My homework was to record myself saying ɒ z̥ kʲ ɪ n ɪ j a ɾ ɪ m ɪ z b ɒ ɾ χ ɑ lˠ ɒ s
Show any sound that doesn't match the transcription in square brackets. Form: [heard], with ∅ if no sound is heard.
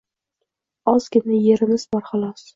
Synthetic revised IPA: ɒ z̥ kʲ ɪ n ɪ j [e] ɾ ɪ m ɪ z b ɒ ɾ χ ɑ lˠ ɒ s